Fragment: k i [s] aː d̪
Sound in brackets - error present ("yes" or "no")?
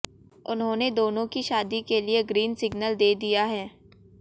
yes